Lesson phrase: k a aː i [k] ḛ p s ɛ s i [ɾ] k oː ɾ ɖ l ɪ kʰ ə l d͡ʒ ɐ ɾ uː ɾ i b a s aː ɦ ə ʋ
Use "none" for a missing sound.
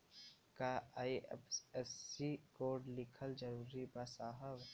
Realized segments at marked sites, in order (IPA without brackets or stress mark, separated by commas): none, none